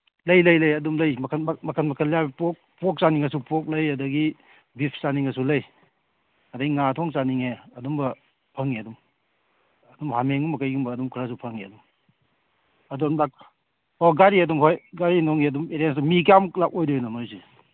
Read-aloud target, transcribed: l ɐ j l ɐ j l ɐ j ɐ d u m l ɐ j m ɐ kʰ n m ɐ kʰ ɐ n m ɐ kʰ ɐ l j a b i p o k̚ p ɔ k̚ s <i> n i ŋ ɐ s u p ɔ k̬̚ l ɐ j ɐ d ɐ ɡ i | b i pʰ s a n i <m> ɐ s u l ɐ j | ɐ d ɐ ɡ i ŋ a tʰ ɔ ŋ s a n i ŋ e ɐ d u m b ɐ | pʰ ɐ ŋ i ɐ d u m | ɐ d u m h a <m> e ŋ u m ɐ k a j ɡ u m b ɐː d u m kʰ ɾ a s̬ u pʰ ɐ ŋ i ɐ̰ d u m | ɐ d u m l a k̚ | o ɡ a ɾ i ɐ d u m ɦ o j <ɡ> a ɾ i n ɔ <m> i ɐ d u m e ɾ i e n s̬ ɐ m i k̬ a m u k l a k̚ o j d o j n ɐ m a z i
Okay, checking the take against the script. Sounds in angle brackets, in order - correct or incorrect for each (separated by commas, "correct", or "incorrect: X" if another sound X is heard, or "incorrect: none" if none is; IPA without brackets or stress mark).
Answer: incorrect: a, incorrect: ŋ, correct, correct, incorrect: ŋ